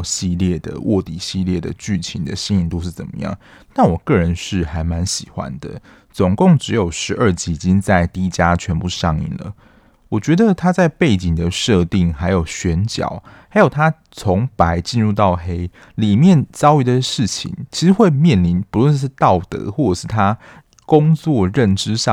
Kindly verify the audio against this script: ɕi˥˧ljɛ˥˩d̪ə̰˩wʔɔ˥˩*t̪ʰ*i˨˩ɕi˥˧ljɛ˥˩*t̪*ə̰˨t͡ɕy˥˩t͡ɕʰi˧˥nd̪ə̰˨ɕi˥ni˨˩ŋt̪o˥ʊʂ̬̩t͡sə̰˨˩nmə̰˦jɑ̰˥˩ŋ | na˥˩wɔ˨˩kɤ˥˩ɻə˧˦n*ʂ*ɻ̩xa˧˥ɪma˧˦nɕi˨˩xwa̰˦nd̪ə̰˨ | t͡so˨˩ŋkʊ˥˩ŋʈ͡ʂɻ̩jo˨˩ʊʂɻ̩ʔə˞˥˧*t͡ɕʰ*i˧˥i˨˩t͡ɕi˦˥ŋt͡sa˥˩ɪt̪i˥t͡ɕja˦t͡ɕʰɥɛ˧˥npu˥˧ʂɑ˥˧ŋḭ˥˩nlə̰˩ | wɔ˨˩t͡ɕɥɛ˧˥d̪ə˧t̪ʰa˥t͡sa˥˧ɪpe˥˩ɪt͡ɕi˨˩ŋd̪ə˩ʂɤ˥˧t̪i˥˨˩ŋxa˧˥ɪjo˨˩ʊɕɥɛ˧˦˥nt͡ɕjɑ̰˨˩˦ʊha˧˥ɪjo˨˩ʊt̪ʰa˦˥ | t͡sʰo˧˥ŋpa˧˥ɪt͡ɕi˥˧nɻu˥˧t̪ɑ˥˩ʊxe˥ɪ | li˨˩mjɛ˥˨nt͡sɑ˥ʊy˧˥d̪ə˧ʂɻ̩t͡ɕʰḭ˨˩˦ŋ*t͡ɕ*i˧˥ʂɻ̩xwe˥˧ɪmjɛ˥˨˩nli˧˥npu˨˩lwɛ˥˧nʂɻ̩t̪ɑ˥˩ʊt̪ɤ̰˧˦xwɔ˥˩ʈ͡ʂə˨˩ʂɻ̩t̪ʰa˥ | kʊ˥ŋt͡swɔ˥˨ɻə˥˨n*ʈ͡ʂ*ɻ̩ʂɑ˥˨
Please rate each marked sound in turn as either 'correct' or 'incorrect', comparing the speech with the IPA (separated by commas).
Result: incorrect, incorrect, correct, incorrect, incorrect, correct